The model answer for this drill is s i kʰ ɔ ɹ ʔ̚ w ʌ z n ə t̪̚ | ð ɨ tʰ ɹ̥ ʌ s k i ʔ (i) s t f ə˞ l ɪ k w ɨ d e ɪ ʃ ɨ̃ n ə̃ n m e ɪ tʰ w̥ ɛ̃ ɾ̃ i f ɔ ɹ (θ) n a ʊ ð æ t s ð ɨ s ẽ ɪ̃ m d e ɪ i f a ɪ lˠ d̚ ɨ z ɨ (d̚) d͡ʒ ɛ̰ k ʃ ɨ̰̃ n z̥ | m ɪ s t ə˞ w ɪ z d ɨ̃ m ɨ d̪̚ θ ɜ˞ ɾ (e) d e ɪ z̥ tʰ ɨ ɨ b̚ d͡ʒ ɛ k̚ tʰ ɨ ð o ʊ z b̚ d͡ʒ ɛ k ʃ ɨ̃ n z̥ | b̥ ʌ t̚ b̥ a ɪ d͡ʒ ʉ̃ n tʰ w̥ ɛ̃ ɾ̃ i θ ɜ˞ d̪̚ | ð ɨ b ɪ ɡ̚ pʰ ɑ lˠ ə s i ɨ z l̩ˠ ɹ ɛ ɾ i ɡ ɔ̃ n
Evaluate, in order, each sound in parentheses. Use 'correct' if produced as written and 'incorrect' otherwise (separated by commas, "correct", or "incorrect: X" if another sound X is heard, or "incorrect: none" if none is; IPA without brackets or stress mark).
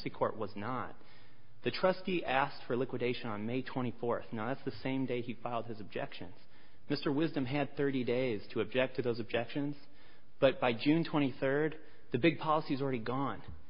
incorrect: æ, correct, incorrect: b̚, incorrect: i